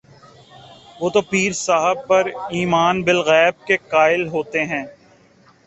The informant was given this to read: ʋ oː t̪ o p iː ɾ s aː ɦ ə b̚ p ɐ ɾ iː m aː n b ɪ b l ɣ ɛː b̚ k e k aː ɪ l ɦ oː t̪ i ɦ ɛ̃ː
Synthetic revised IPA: ʋ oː t̪ o p iː ɾ s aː ɦ ə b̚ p ɐ ɾ iː m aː n b ɪ l ɣ ɛː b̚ k e k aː ɪ l ɦ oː t̪ e ɦ ɛ̃ː